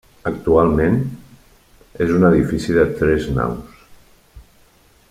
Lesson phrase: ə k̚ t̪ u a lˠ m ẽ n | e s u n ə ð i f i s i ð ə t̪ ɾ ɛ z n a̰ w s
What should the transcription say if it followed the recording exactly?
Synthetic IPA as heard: ə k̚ t̪ u a lˠ m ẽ n | e z u n ə ð i f i s i ð ə t̪ ɾ ɛ z n a̰ w s